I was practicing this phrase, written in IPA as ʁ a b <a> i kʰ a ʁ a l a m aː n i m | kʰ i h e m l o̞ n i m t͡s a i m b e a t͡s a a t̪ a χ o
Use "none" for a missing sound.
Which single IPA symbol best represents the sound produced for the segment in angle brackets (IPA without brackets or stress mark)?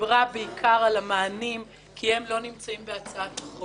e